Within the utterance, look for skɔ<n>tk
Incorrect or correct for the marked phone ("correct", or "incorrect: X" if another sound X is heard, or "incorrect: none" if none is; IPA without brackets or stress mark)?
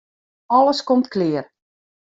incorrect: m